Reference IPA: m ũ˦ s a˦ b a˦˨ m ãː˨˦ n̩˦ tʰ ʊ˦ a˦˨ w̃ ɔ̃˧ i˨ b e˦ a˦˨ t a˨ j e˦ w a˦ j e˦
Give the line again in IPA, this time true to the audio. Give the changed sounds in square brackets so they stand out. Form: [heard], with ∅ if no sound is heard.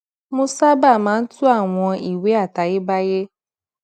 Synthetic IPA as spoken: m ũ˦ s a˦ b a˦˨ m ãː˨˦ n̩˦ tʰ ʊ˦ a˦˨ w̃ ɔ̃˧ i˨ [w] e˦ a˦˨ t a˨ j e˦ [b] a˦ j e˦